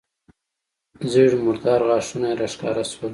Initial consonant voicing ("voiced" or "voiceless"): voiced